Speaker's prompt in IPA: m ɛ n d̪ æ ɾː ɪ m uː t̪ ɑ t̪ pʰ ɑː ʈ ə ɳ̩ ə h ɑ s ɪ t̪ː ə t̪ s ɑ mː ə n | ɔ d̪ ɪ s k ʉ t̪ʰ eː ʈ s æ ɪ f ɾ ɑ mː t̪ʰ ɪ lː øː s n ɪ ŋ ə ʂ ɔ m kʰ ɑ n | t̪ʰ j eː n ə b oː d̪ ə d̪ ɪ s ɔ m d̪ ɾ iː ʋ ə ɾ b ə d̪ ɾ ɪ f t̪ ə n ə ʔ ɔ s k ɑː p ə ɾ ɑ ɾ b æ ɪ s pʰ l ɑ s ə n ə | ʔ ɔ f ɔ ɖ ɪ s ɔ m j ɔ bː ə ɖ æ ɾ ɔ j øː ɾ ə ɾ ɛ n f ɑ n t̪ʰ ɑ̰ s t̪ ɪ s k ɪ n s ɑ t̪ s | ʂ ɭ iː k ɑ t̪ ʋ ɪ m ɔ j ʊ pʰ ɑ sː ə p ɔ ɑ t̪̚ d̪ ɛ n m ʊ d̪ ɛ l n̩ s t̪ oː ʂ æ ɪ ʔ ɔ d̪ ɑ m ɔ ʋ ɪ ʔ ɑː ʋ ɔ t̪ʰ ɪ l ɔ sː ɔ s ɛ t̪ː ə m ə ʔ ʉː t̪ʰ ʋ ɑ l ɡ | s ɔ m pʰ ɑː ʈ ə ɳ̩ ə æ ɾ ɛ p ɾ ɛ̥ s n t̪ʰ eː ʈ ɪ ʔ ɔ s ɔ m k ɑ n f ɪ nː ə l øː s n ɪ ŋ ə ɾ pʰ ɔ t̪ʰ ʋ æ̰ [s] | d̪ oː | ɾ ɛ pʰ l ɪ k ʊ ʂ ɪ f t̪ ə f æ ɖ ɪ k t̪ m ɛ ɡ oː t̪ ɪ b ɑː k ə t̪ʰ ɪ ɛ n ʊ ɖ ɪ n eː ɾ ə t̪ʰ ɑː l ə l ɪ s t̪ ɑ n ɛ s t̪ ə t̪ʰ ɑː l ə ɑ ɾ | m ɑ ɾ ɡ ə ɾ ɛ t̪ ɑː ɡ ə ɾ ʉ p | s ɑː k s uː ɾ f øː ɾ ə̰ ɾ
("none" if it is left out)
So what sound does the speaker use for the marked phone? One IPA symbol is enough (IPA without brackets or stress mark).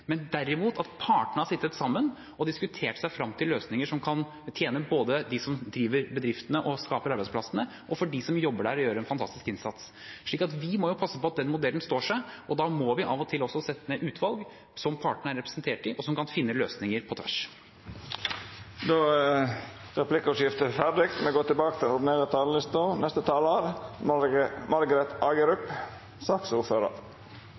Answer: ʂ